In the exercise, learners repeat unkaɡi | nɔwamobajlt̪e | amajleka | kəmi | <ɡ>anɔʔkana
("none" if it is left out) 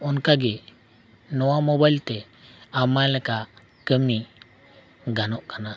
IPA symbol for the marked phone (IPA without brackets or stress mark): ɡ